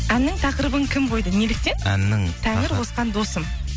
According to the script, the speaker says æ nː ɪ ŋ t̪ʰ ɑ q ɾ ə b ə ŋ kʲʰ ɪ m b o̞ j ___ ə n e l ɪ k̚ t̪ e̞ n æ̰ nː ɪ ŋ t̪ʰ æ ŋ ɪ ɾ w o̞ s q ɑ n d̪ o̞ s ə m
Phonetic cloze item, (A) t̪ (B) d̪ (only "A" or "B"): B